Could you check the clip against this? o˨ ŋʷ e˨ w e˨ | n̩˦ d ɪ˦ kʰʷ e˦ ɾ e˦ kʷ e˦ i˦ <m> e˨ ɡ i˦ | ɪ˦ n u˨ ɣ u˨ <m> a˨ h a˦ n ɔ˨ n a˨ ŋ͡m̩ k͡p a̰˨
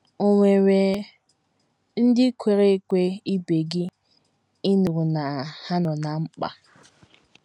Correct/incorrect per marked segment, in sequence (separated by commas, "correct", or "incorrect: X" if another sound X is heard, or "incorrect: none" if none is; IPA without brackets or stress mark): incorrect: b, incorrect: n